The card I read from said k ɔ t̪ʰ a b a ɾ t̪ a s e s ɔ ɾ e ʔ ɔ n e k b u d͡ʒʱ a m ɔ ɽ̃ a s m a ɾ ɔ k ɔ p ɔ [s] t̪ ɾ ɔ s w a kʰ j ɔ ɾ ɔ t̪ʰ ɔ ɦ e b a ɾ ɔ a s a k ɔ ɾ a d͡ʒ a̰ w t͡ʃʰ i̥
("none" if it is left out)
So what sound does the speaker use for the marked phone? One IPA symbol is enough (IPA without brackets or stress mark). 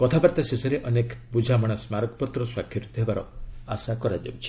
none